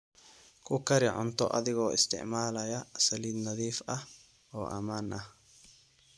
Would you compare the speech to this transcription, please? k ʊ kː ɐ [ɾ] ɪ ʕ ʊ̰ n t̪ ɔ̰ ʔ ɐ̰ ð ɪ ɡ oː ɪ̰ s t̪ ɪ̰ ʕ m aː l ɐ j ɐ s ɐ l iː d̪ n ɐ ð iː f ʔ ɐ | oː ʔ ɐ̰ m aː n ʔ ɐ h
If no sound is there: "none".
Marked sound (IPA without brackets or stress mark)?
ɾ